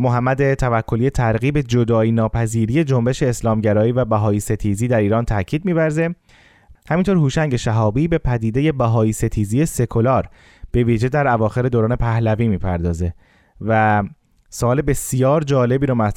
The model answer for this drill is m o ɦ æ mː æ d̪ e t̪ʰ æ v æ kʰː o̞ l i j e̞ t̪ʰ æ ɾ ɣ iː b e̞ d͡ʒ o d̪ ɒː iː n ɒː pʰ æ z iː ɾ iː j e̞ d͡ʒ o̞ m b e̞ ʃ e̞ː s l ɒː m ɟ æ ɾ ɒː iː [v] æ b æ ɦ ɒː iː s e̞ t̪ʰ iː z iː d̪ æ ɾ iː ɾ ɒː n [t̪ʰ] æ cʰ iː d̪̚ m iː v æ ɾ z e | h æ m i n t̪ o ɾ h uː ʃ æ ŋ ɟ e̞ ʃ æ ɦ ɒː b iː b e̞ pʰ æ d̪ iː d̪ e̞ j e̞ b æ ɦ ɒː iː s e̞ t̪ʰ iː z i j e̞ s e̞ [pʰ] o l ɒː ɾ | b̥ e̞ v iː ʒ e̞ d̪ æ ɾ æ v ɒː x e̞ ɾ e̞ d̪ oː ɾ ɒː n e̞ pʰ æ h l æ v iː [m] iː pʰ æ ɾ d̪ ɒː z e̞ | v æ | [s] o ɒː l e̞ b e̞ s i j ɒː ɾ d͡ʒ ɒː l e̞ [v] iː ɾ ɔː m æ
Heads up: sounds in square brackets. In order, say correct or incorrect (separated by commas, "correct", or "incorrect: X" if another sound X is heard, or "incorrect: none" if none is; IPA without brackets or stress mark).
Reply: correct, correct, incorrect: kʰ, correct, correct, incorrect: b